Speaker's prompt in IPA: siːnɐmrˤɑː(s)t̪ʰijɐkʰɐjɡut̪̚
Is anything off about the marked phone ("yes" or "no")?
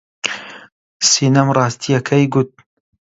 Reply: no